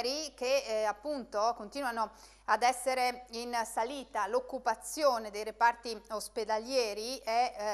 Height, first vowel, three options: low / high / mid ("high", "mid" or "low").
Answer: high